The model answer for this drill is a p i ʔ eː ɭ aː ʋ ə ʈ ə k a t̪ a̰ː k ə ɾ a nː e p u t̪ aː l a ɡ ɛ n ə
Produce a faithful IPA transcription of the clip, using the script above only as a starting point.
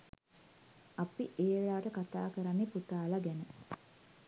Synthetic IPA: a p i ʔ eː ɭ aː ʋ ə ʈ ə k a t̪ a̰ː k ə ɾ a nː e p u t̪ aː l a ɡ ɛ n ə